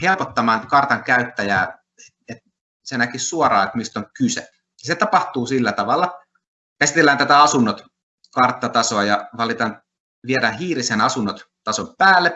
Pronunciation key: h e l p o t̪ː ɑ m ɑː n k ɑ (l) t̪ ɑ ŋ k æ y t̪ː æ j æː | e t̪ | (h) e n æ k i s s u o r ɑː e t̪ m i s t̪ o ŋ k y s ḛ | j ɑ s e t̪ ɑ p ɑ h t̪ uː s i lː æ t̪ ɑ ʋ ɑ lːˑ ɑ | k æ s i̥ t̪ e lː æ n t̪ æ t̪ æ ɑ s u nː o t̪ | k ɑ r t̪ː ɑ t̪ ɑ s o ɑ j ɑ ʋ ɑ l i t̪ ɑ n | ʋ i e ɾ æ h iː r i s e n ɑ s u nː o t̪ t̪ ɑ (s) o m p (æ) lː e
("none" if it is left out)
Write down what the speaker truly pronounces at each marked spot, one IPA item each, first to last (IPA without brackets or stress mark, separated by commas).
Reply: r, s, s, æː